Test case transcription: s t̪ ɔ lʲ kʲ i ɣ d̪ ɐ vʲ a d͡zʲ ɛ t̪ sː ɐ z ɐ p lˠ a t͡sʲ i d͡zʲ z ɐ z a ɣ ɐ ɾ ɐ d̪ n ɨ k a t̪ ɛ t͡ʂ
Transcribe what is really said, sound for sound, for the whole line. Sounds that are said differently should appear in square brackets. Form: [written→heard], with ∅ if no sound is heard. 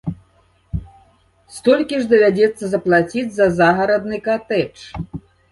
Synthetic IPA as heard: s t̪ ɔ lʲ kʲ i [ɣ→ʐ] d̪ ɐ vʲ a d͡zʲ ɛ t̪ sː ɐ z ɐ p lˠ a t͡sʲ i d͡zʲ z ɐ z a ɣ ɐ ɾ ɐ d̪ n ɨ k a t̪ ɛ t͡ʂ

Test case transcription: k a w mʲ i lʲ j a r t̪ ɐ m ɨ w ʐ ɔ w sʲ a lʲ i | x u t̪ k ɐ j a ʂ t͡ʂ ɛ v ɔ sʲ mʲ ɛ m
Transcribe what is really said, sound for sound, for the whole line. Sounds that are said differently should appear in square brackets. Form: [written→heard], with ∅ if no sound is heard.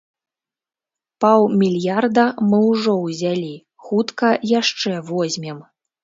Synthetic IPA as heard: [k→p] a w mʲ i lʲ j a r [t̪→d̪] ɐ m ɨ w ʐ ɔ w [sʲ→zʲ] a lʲ i | x u t̪ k ɐ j a ʂ t͡ʂ ɛ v ɔ [sʲ→zʲ] mʲ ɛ m

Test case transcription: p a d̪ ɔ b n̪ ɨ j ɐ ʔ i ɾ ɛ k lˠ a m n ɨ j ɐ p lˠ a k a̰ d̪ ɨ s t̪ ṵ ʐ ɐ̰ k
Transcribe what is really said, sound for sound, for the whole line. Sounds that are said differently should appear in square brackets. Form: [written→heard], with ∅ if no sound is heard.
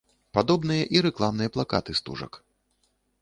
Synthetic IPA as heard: p a d̪ ɔ b n̪ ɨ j ɐ ʔ i ɾ ɛ k lˠ a m n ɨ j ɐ p lˠ a k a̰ [d̪→t̪] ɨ s t̪ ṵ ʐ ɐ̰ k

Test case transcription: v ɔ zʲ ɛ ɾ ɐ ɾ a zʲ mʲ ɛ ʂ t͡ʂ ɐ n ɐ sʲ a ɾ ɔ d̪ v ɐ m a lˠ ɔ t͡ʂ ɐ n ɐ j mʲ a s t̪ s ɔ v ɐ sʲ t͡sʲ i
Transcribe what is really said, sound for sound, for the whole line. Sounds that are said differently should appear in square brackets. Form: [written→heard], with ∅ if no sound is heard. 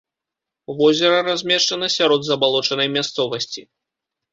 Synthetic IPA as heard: v ɔ zʲ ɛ ɾ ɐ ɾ a zʲ mʲ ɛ ʂ t͡ʂ ɐ n ɐ sʲ a ɾ ɔ d̪ [v→z] ɐ [m→b] a lˠ ɔ t͡ʂ ɐ n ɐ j mʲ a s t̪ s ɔ v ɐ sʲ t͡sʲ i

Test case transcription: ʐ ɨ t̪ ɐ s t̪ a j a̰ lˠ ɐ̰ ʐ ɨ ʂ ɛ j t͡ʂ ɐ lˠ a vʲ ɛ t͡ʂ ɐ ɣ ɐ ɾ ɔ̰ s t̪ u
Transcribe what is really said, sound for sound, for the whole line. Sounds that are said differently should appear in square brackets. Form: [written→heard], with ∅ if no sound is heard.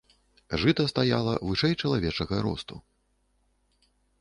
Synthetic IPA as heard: ʐ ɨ t̪ ɐ s t̪ a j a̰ lˠ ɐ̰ [ʐ→v] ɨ ʂ ɛ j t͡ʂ ɐ lˠ a vʲ ɛ t͡ʂ ɐ ɣ ɐ ɾ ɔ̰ s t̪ u

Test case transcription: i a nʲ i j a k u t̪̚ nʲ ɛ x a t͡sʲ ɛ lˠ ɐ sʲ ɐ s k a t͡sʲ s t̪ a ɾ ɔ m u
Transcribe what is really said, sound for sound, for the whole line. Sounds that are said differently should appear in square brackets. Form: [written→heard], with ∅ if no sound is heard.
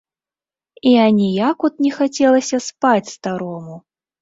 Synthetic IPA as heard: i a nʲ i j a k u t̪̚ nʲ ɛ x a t͡sʲ ɛ lˠ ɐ sʲ ɐ s [k→p] a t͡sʲ s t̪ a ɾ ɔ m u

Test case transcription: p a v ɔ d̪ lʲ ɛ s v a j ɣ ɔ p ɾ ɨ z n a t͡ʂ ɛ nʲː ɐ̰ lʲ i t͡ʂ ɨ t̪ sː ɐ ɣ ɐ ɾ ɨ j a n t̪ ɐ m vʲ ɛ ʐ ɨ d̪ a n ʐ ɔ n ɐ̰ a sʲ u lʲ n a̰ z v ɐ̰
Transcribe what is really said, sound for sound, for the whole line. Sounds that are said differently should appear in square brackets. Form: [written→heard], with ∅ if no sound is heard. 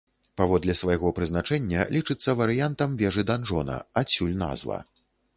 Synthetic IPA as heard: p a v ɔ d̪ lʲ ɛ s v a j ɣ ɔ p ɾ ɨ z n a t͡ʂ ɛ nʲː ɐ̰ lʲ i t͡ʂ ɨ t̪ sː ɐ [ɣ→v] ɐ ɾ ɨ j a n t̪ ɐ m vʲ ɛ ʐ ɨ d̪ a n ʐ ɔ n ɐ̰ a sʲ u lʲ n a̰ z v ɐ̰

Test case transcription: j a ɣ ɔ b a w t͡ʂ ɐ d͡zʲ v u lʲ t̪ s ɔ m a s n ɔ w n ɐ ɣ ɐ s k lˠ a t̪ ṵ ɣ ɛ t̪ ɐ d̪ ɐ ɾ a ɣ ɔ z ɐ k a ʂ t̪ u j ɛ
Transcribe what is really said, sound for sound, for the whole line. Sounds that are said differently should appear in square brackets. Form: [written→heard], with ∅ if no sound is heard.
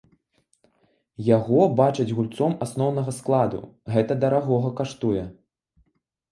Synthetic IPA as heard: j a ɣ ɔ b a [w→∅] t͡ʂ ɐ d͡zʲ [v→ɣ] u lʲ t̪ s ɔ m a s n ɔ w n ɐ ɣ ɐ s k lˠ a [t̪→d̪] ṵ ɣ ɛ t̪ ɐ d̪ ɐ ɾ a ɣ ɔ [z→ɣ] ɐ k a ʂ t̪ u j ɛ

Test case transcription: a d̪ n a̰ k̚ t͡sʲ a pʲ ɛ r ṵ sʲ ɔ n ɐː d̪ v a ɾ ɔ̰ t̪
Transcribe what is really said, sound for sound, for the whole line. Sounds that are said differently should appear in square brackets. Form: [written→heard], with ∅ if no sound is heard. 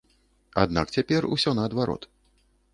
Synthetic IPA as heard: a d̪ n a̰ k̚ t͡sʲ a pʲ ɛ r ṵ sʲ ɔ n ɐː d̪ v a ɾ ɔ̰ t̪

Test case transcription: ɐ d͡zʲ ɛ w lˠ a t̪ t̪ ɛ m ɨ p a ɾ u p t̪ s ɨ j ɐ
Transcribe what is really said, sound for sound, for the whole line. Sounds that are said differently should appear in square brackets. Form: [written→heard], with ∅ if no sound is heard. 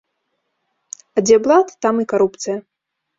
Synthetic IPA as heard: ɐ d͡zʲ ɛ [w→b] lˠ a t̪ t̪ [ɛ→a] m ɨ [p→k] a ɾ u p t̪ s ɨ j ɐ

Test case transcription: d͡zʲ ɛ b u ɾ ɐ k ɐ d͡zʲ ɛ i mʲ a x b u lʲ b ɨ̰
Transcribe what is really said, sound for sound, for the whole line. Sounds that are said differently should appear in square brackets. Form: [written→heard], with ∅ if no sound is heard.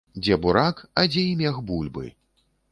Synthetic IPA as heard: d͡zʲ ɛ b u ɾ [ɐ→a] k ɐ d͡zʲ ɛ i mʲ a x b u lʲ b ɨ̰

